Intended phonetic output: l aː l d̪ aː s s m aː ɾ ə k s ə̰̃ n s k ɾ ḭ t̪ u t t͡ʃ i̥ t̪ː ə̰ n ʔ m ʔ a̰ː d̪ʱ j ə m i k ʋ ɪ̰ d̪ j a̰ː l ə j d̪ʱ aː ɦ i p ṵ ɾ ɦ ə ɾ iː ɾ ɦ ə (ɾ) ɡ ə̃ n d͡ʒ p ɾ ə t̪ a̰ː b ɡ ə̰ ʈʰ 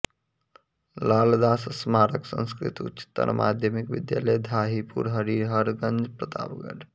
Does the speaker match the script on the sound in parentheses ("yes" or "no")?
yes